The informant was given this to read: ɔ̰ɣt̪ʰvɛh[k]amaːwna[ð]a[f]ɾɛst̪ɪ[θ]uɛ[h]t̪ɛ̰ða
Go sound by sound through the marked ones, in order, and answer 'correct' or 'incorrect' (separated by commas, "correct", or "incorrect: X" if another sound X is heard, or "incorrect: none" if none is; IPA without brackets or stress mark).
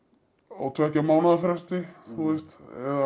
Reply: incorrect: c, correct, correct, correct, incorrect: s